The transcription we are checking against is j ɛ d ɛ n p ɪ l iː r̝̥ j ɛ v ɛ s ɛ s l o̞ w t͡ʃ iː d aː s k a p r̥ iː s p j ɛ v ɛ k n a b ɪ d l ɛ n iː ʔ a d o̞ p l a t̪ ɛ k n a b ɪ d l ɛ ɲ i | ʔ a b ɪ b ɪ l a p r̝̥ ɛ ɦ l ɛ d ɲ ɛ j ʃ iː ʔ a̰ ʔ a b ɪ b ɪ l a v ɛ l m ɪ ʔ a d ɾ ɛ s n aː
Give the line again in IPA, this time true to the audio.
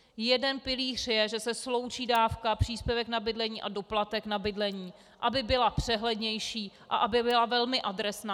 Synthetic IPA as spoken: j ɛ d ɛ n p ɪ l iː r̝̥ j ɛ ʒ ɛ s ɛ s l o̞ w t͡ʃ iː d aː f k a p r̥ iː s p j ɛ v ɛ k n a b ɪ d l ɛ ɲ iː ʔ a d o̞ p l a t̪ ɛ k n a b ɪ d l ɛ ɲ iː | ʔ a b ɪ b ɪ l a p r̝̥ ɛ ɦ l ɛ d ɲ ɛ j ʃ iː ʔ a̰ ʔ a b ɪ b ɪ l a v ɛ l m ɪ ʔ a d ɾ ɛ s n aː